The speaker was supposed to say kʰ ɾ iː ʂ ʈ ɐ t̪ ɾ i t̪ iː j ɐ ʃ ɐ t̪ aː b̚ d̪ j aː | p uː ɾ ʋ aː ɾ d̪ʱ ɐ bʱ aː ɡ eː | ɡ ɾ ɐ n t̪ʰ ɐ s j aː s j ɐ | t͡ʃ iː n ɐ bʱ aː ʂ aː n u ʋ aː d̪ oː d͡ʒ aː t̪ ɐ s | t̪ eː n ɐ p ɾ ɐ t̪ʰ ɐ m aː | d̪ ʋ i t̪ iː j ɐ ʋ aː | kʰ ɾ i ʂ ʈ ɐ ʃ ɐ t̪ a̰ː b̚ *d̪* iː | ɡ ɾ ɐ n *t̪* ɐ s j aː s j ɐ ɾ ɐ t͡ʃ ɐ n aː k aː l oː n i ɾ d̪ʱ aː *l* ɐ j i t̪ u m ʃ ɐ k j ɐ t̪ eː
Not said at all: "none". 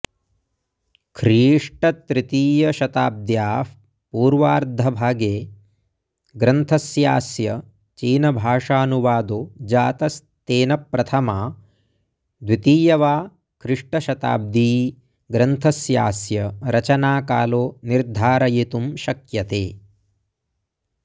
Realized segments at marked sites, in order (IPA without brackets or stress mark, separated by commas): d̪, t̪ʰ, ɾ